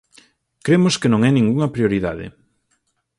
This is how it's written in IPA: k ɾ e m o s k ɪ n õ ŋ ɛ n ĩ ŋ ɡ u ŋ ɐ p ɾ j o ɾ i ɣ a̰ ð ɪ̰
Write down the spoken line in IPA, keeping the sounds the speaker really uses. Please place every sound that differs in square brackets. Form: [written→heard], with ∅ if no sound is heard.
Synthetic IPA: k ɾ e m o s k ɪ n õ ŋ ɛ n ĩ ŋ ɡ u ŋ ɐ p ɾ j o ɾ i [ɣ→ð] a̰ ð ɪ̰